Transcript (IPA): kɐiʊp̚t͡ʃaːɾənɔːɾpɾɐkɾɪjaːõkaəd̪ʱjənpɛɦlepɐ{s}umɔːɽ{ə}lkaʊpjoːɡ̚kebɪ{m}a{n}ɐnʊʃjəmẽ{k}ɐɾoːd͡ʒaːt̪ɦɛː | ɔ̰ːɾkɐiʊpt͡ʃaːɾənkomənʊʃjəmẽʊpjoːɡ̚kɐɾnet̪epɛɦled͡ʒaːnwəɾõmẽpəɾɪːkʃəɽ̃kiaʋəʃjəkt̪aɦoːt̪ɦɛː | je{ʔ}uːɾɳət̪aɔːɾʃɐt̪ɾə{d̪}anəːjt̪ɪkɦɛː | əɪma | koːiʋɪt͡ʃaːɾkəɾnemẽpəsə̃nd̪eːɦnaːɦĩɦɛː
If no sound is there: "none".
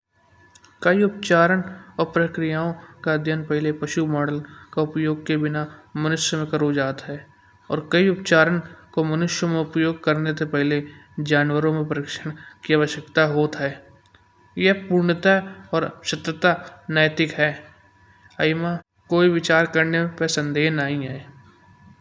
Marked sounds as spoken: ʃ, ə, n, m, k, p, t̪

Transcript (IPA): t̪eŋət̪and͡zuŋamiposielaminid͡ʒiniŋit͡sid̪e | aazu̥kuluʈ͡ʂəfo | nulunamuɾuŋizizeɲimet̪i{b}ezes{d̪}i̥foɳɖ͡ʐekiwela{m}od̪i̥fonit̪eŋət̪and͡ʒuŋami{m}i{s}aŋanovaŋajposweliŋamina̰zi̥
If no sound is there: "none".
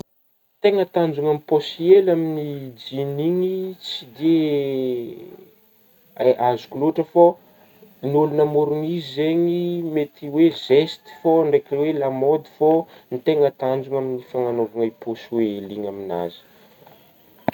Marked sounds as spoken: w, t̪, m, n, f

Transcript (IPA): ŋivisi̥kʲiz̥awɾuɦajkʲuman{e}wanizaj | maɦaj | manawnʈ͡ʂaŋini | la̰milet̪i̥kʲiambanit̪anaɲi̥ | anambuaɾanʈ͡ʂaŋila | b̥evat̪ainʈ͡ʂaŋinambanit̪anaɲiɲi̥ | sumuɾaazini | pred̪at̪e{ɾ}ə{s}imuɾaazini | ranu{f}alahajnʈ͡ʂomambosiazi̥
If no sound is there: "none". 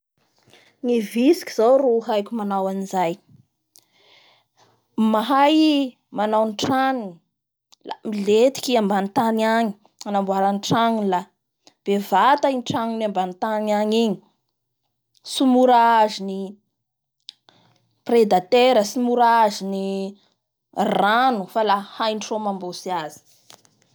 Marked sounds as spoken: a, ɾ, s, f

